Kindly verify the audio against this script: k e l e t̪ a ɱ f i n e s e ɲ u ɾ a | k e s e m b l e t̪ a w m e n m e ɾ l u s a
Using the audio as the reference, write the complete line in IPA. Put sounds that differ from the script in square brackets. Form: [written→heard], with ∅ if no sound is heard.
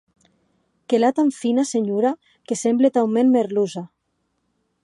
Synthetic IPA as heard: k e l [e→a] t̪ a ɱ f i n [e→a] s e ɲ u ɾ a | k e s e m b l e t̪ a w m e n m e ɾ l u [s→z] a